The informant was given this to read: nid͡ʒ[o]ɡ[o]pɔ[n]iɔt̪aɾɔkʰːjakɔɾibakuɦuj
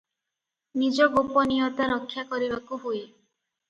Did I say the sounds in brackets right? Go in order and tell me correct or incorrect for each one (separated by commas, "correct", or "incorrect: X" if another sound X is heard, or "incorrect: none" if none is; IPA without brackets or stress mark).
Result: incorrect: ɔ, correct, correct